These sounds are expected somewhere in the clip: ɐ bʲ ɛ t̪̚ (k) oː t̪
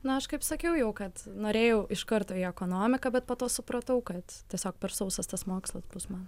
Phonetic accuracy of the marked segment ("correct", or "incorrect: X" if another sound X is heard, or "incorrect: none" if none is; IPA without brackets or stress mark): incorrect: p